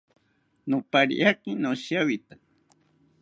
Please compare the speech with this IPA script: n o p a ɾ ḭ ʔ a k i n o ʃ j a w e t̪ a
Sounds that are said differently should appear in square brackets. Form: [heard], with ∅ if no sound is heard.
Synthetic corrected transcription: n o p a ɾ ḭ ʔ a k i n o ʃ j a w [i] t̪ a